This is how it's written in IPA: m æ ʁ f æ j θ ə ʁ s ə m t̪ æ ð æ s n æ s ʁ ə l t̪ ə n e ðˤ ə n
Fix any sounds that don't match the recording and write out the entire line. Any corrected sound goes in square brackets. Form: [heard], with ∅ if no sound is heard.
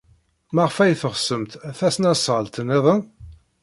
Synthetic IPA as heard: m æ ʁ f æ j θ ə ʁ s ə m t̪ æ [θ] æ s n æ s ʁ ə l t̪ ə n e ðˤ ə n